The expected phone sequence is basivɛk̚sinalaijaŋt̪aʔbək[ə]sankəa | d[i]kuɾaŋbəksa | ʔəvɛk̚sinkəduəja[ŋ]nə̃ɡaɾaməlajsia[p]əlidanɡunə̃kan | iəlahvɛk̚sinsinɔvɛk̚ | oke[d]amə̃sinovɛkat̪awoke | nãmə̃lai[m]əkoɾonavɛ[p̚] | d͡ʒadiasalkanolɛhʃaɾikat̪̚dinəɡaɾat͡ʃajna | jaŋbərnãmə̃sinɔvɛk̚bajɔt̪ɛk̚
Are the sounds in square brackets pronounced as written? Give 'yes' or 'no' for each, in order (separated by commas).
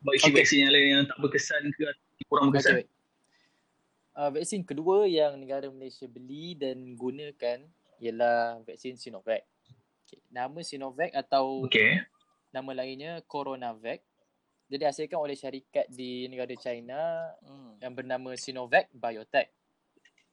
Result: yes, yes, yes, no, no, no, no